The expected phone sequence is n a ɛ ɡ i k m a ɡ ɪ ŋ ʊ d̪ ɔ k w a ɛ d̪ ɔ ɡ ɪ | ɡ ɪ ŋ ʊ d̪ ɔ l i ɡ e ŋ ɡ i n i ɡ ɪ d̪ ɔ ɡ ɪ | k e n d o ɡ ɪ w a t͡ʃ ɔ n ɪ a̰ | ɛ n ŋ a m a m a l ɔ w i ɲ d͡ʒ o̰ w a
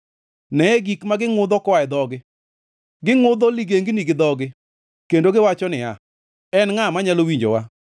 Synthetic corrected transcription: n ɛ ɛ ɡ i k m a ɡ ɪ ŋ ʊ d̪ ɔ k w a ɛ d̪ ɔ ɡ ɪ | ɡ ɪ ŋ ʊ d̪ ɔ l i ɡ e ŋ ɡ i n i ɡ ɪ d̪ ɔ ɡ ɪ | k e n d o ɡ ɪ w a t͡ʃ ɔ n ɪ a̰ | ɛ n ŋ a m a ɲ a l o w i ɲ d͡ʒ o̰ w a